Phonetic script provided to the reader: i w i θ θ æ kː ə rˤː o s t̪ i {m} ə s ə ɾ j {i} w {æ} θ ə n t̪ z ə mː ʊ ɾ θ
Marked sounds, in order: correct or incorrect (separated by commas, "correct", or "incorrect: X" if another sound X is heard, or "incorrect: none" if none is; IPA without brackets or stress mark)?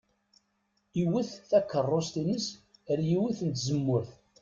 incorrect: n, correct, incorrect: i